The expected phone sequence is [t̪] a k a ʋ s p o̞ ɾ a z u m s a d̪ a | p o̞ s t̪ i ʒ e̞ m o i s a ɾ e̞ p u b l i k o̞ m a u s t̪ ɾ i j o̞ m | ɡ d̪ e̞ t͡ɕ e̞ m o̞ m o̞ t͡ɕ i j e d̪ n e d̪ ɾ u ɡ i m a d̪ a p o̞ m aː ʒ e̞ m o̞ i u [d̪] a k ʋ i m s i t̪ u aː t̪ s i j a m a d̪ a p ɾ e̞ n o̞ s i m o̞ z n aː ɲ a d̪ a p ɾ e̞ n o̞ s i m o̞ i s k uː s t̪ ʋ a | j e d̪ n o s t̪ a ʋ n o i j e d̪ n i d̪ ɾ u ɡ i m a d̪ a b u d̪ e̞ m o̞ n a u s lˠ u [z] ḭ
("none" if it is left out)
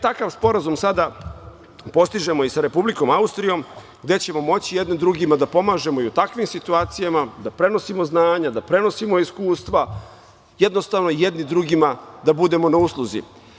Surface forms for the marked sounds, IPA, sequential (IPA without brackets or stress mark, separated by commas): t̪, t̪, z